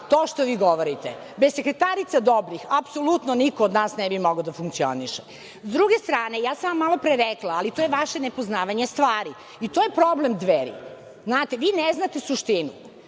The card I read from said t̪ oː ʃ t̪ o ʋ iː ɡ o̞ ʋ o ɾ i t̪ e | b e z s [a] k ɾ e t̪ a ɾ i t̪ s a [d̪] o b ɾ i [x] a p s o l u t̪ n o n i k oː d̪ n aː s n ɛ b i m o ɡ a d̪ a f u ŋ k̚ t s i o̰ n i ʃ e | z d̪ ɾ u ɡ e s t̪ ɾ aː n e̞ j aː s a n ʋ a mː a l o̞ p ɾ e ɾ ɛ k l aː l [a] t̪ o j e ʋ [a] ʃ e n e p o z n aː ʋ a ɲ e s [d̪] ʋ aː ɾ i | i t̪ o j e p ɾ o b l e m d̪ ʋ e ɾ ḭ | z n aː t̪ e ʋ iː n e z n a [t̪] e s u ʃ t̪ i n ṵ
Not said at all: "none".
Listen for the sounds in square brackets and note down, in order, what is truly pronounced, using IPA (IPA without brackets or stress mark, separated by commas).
e, d̪, x, i, a, t̪, t̪